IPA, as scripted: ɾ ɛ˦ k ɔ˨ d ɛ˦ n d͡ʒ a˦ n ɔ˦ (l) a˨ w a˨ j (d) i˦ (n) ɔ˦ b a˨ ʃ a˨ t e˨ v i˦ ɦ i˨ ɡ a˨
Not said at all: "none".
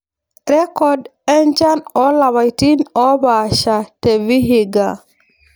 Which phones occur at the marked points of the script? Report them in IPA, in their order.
l, t, n

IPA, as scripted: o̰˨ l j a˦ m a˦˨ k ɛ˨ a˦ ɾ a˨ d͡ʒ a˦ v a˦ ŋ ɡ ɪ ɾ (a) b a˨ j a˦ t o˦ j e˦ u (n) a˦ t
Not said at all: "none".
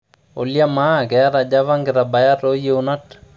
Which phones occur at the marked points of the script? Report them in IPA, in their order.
a, n

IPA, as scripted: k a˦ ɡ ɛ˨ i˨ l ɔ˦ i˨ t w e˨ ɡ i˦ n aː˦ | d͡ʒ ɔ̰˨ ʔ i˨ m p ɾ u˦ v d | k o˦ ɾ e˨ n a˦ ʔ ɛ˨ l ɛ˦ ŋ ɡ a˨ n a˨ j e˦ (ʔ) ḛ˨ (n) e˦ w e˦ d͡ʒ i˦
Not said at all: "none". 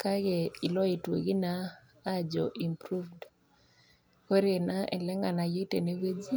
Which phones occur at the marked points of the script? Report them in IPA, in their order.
t, n

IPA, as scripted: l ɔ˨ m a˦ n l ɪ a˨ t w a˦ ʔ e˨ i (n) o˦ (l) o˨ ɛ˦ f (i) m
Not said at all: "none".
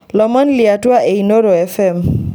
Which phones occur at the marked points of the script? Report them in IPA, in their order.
n, ɾ, ɛ

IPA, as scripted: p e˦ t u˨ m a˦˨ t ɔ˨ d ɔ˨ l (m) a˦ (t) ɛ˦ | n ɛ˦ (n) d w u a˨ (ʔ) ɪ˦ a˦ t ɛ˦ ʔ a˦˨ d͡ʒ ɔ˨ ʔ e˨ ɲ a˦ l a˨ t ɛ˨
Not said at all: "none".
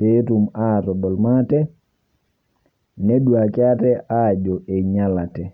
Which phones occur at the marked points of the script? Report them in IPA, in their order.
m, t, none, k

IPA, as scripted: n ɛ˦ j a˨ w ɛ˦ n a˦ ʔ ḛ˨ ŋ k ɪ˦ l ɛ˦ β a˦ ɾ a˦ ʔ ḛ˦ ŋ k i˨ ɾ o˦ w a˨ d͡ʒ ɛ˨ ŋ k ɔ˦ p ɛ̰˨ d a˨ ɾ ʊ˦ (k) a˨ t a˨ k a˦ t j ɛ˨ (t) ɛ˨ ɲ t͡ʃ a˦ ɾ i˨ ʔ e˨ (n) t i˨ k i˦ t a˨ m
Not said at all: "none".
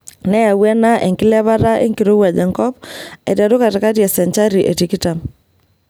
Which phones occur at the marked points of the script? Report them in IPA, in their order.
k, s, none

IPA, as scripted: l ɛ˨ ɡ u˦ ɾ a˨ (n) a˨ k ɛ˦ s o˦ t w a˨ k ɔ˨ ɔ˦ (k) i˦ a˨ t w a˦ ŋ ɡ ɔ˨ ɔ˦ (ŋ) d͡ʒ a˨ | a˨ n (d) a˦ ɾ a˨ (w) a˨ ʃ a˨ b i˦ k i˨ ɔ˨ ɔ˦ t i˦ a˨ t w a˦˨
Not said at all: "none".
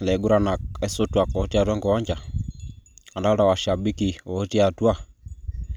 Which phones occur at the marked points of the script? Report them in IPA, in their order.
n, t, ɲ, d, w

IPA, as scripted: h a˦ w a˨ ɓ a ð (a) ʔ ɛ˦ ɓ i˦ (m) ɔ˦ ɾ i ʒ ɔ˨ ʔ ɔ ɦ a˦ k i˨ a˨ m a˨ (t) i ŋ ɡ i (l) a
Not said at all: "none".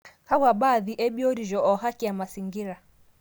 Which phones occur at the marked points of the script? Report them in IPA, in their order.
i, none, s, ɾ

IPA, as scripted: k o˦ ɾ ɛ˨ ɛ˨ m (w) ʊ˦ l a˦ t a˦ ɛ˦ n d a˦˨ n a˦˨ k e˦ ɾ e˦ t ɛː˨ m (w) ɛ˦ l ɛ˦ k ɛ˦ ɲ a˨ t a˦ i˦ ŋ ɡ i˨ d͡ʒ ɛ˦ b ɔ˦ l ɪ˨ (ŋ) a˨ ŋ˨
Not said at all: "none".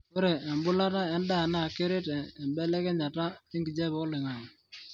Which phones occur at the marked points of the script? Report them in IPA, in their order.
b, b, ŋ

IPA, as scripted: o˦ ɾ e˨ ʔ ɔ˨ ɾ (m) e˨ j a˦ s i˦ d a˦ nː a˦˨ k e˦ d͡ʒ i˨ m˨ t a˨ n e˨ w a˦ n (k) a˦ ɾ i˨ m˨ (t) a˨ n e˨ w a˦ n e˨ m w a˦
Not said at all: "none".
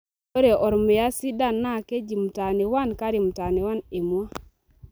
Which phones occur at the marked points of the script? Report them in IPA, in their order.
m, k, t

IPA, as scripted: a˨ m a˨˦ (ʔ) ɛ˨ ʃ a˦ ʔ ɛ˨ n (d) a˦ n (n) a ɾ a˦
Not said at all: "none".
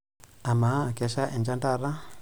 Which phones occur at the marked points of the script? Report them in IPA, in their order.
k, d͡ʒ, d

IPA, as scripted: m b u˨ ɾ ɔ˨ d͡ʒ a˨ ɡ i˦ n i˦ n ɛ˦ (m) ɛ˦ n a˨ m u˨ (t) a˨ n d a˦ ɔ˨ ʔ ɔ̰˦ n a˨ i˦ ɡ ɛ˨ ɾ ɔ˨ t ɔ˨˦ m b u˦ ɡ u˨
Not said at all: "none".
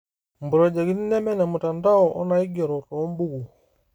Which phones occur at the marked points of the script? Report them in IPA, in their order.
m, t

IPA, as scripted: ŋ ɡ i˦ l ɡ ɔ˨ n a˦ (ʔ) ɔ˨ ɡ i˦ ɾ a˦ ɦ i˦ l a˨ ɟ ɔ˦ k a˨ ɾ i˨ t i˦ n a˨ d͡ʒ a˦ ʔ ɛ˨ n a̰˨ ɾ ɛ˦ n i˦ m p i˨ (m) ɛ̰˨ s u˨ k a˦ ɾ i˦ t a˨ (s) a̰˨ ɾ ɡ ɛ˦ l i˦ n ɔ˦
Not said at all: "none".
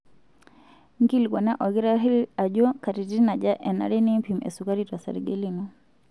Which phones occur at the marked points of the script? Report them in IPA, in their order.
ʔ, m, s

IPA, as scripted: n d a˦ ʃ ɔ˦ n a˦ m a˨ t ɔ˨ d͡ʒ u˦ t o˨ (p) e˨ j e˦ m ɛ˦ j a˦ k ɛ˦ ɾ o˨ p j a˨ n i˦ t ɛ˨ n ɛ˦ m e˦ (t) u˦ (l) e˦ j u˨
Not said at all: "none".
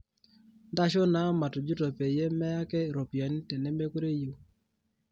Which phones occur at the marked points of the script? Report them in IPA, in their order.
p, k, ɾ

